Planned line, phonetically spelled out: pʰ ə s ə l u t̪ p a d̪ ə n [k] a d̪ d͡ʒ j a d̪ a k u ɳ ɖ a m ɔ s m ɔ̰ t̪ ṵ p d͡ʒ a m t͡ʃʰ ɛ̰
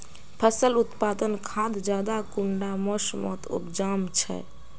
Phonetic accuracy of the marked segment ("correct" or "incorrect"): incorrect